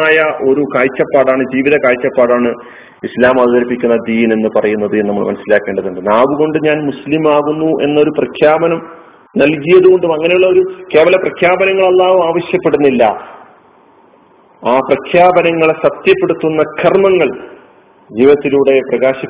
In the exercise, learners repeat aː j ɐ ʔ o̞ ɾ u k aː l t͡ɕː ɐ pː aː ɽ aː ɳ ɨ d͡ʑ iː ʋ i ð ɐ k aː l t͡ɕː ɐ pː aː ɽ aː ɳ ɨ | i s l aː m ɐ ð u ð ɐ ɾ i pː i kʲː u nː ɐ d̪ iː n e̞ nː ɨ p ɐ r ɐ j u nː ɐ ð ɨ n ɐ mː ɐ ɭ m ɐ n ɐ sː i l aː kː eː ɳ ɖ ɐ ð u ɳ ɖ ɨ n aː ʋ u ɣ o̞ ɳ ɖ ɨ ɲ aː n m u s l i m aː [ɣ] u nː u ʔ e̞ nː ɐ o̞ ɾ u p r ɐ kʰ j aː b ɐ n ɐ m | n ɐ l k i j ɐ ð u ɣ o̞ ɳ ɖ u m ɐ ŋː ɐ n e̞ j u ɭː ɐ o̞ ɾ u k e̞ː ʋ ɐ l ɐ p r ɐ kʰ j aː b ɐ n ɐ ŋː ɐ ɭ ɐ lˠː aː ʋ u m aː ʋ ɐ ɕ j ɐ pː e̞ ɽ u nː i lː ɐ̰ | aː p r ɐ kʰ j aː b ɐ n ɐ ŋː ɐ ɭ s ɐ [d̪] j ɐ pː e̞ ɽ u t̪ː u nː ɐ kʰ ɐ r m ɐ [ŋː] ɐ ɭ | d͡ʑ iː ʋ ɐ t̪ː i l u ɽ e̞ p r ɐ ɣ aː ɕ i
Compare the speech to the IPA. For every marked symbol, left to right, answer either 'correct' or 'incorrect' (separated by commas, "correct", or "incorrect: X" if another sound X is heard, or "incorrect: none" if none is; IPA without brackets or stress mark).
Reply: correct, incorrect: t̪, correct